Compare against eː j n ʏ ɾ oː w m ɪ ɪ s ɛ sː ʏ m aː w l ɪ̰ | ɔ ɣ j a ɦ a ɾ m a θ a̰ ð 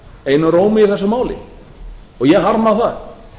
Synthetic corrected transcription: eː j n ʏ ɾ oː w m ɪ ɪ θ ɛ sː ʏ m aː w l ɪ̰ | ɔ ɣ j ɛ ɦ a ɾ m a θ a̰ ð